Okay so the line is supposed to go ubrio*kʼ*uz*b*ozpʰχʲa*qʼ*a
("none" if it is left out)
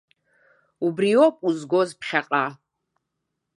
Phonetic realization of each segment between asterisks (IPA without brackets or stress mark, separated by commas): pʼ, ɡ, qʼ